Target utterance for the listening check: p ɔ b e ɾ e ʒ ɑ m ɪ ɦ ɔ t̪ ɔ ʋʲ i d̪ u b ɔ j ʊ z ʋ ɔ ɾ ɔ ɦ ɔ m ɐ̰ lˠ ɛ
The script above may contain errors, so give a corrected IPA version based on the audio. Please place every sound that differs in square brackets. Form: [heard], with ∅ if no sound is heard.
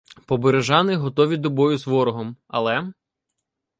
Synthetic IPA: p ɔ b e ɾ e ʒ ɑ [n] ɪ ɦ ɔ t̪ ɔ ʋʲ i d̪ [ɔ] b ɔ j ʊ z ʋ ɔ ɾ ɔ ɦ ɔ m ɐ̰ lˠ ɛ